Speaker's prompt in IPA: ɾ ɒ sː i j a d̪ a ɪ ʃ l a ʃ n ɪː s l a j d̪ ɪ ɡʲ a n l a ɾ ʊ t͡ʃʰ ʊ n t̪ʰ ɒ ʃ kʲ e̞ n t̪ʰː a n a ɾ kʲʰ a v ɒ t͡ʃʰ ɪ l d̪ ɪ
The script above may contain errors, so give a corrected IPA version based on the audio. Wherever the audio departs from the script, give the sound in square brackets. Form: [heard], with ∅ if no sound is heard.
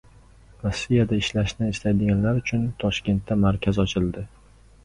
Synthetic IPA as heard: ɾ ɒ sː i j a d̪ a ɪ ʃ l a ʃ n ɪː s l a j d̪ ɪ ɡʲ a n l a ɾ ʊ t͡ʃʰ ʊ n t̪ʰ ɒ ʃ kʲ e̞ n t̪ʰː a [m] a ɾ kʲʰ a [z] ɒ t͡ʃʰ ɪ l d̪ ɪ